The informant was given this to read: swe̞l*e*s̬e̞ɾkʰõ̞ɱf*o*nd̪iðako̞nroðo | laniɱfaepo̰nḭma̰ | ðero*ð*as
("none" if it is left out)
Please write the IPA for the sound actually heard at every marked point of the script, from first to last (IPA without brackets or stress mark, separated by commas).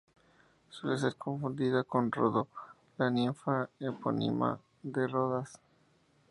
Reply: e, u, ð